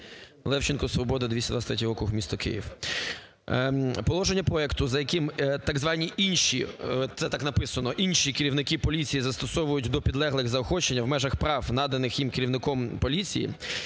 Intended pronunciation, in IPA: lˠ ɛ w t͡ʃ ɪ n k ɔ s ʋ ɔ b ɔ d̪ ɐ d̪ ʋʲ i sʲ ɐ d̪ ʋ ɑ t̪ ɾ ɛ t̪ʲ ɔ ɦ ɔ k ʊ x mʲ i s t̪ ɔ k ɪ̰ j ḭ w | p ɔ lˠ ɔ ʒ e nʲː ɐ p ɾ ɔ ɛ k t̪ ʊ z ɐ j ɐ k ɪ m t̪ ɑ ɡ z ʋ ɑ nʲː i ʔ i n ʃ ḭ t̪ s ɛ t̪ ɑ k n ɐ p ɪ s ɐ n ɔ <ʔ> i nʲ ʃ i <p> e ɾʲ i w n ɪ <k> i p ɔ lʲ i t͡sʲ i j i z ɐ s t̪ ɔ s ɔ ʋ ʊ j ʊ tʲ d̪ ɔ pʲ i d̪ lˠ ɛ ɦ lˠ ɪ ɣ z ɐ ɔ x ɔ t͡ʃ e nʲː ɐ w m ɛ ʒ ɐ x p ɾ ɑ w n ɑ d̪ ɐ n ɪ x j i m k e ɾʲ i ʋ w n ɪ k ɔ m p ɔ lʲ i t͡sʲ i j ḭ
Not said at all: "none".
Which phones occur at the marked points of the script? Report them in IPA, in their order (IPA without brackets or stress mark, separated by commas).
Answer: ʔ, k, k